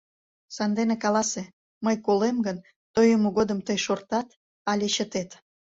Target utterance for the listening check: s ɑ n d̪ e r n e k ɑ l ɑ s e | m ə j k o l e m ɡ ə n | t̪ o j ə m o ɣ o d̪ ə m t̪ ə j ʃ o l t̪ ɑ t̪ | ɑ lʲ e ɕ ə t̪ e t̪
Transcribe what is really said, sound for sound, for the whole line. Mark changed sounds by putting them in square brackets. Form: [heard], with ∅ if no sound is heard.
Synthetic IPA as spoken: s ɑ n d̪ e [∅] n e k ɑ l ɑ s e | m ə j k o l e m ɡ ə n | t̪ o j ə m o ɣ o d̪ ə m t̪ ə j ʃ o [r] t̪ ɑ t̪ | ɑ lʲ e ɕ ə t̪ e t̪